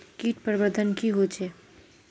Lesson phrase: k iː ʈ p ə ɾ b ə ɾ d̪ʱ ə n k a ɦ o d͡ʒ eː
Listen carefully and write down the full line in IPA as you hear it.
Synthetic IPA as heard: k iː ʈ p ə ɾ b ə ɾ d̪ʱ ə n k i ɦ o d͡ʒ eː